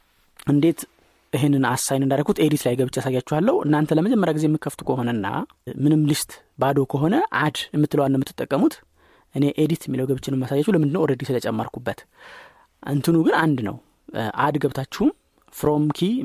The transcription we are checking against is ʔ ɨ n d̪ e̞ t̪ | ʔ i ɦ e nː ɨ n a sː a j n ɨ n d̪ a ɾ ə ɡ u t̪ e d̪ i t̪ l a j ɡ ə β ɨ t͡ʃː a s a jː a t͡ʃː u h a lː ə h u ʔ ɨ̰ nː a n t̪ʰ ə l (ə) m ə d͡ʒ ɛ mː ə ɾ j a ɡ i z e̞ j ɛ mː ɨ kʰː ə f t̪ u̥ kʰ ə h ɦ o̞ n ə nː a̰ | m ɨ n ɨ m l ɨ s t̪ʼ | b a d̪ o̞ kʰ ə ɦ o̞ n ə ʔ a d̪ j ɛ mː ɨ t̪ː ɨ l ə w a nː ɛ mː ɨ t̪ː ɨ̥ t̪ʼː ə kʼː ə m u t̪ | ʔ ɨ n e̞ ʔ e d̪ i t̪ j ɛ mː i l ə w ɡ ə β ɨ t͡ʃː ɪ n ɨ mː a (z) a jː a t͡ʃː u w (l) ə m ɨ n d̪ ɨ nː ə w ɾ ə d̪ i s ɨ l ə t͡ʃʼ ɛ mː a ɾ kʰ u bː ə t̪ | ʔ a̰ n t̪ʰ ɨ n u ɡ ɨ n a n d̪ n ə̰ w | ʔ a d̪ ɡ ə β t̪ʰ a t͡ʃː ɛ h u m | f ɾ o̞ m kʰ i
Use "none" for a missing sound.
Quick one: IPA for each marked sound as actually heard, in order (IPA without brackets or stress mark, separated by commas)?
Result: ə, s, l